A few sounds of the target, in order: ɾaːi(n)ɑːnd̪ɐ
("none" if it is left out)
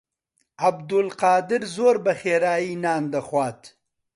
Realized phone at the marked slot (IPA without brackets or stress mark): n